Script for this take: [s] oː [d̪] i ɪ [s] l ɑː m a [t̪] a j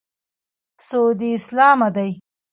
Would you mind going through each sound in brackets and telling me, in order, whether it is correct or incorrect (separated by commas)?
correct, correct, correct, incorrect